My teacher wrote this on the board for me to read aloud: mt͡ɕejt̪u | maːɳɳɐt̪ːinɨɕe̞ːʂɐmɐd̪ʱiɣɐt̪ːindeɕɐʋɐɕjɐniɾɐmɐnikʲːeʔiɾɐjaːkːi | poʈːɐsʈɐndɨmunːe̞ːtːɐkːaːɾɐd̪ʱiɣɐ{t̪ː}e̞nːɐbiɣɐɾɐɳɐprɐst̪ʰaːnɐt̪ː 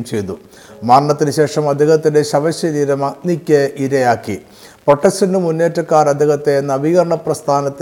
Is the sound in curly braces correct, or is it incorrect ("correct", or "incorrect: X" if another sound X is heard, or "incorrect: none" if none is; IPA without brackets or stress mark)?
correct